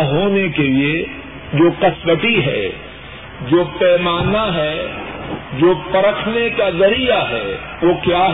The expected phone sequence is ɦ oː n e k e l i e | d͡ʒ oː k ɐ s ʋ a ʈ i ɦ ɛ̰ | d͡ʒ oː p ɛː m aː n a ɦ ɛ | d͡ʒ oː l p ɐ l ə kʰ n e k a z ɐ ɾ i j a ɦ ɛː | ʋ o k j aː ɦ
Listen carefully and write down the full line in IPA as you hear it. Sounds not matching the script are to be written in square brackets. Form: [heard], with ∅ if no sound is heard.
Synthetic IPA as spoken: ɦ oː n e k e l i e | d͡ʒ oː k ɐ s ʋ [ə] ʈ i ɦ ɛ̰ | d͡ʒ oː p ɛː m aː n a ɦ ɛ | d͡ʒ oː [∅] p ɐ [ɾ] ə kʰ n e k a z ɐ ɾ i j a ɦ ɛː | ʋ o k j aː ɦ